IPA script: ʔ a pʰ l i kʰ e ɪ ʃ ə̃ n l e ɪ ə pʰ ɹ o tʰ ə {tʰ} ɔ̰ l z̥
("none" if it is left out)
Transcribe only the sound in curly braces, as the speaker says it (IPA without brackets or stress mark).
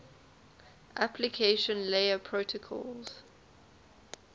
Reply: kʰ